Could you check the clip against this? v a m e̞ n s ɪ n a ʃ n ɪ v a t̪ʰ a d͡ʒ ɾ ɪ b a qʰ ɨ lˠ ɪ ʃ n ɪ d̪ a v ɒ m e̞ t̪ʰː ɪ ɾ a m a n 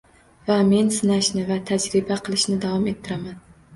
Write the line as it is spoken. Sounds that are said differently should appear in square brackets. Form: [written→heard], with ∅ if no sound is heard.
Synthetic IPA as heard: v a m e̞ n s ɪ n a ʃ n ɪ v a t̪ʰ a d͡ʒ ɾ ɪ b a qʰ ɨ lˠ ɪ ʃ n ɪ d̪ a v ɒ m e̞ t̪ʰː ɪ ɾ a m a n